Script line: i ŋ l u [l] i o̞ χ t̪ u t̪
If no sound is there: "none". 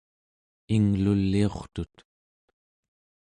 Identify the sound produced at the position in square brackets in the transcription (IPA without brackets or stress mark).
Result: lː